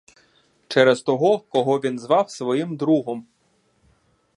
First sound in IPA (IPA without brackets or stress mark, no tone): t͡ʃ